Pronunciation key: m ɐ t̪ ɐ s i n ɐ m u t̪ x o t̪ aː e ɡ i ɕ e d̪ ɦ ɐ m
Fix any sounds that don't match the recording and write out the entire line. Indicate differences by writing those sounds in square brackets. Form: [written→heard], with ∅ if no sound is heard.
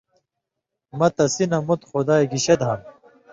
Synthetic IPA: m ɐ t̪ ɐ s i n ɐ m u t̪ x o [t̪→d̪] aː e ɡ i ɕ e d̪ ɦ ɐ m